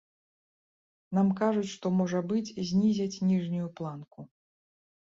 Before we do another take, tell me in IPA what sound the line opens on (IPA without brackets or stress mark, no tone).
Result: n̪